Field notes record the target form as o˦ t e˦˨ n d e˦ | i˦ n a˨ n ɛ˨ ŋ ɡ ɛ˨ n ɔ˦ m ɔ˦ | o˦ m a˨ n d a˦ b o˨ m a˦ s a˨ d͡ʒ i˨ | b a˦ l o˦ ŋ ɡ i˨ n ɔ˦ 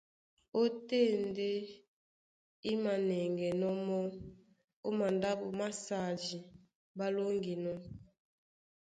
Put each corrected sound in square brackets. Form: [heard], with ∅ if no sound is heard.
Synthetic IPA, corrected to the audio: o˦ t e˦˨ n d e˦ | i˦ [m] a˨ n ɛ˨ ŋ ɡ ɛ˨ n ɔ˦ m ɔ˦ | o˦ m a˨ n d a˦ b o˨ m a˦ s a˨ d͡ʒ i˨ | b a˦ l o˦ ŋ ɡ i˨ n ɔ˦